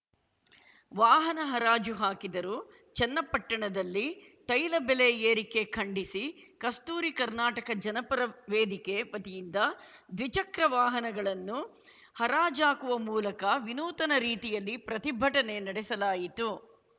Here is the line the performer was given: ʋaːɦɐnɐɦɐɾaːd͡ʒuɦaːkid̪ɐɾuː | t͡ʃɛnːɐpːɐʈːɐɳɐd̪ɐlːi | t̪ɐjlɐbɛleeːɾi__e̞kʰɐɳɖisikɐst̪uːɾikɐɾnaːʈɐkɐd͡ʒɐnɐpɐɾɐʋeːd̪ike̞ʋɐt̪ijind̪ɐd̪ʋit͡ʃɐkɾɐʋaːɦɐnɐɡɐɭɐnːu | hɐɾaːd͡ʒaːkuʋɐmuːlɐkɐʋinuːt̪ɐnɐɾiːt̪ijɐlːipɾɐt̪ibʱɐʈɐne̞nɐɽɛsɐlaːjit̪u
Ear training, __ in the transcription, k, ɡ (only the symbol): k